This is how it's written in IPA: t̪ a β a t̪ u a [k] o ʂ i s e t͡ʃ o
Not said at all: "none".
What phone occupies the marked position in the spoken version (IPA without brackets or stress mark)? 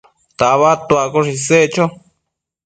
k